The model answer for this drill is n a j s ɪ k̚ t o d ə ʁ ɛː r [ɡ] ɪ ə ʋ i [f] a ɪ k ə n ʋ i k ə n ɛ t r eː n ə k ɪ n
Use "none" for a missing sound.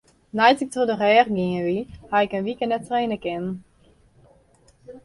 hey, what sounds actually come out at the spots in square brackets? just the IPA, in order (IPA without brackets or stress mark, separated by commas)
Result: ɡ, h